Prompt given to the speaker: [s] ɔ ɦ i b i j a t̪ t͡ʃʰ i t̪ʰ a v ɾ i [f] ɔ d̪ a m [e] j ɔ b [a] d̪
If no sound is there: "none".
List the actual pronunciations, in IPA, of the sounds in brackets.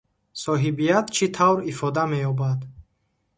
s, f, e, a

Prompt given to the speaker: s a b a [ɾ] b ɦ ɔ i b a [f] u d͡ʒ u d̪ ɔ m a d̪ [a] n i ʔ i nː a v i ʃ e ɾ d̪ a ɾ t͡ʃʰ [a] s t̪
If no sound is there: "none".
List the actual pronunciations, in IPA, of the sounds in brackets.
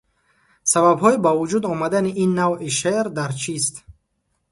none, v, a, i

